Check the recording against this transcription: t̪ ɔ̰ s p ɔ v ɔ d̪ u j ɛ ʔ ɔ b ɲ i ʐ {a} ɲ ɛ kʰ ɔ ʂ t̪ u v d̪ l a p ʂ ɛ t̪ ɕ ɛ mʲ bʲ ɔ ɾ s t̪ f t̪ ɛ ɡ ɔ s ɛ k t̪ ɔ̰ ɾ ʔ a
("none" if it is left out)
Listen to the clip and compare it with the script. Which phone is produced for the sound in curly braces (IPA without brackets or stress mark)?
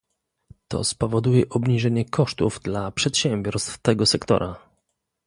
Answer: ɛ